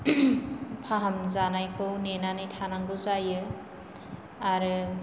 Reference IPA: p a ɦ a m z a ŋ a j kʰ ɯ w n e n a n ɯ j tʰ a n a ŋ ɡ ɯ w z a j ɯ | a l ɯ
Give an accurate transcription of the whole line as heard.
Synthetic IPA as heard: pʰ a ɦ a m z a n a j kʰ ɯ w n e n a n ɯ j tʰ a n a ŋ ɡ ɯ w z a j ɯ | a ɾ ɯ